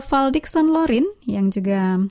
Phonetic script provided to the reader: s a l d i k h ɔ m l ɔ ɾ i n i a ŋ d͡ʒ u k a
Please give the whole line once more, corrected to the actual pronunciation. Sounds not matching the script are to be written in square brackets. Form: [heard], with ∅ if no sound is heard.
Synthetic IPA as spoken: [f] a l d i k [s] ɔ [n] l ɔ ɾ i n [j] a ŋ d͡ʒ u [ɡ] a